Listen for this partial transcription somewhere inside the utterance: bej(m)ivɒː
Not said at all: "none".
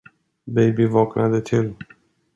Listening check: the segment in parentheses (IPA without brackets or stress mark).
b